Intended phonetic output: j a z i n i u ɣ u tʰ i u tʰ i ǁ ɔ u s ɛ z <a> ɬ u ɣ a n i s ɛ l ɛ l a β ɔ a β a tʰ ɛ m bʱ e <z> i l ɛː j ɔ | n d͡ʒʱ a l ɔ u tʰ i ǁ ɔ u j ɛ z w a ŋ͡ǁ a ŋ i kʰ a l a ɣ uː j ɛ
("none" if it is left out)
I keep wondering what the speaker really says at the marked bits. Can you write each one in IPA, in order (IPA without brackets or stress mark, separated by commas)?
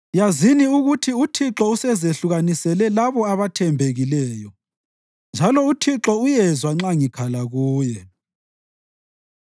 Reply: e, ɣ